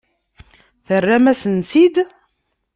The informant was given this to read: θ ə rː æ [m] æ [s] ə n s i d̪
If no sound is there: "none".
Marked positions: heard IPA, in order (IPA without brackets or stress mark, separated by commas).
m, s